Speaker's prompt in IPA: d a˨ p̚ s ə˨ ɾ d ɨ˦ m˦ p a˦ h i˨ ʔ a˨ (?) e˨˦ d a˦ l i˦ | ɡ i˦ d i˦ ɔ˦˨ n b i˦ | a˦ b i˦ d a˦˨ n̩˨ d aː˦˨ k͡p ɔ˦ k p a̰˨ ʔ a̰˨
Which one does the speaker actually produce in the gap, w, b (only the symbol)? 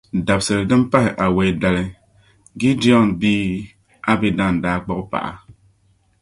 w